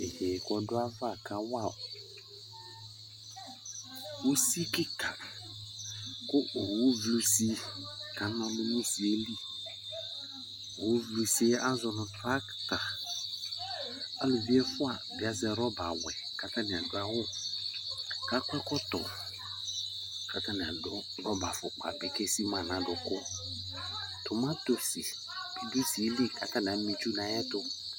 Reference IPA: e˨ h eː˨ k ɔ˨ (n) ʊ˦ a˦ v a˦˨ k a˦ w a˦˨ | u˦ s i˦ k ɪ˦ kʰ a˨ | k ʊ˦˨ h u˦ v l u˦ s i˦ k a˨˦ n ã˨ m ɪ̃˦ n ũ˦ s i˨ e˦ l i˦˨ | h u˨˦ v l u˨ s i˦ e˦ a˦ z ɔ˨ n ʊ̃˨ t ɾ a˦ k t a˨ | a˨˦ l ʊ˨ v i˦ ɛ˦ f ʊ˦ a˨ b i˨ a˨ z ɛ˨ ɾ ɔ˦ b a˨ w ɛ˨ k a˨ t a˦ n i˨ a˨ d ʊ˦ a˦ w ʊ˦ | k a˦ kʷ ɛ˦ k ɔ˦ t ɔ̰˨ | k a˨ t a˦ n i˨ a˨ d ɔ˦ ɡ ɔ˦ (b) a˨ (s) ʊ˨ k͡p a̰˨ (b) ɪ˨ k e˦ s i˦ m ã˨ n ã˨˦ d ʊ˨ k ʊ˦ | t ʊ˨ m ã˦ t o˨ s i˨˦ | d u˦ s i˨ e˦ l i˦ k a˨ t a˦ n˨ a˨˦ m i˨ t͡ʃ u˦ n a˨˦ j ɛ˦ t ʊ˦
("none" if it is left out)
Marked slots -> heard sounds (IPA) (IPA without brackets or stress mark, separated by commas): d, b, f, b